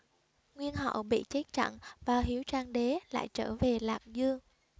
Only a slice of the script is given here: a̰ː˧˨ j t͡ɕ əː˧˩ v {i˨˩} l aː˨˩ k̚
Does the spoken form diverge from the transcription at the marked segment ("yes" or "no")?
yes